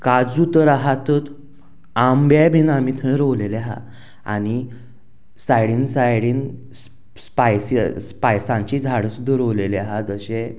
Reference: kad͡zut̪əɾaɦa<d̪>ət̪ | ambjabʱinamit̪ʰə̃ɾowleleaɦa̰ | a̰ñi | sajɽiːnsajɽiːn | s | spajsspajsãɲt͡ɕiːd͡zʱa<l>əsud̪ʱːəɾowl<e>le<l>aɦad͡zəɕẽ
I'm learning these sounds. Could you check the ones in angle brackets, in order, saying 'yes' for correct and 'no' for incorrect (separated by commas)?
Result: no, no, yes, no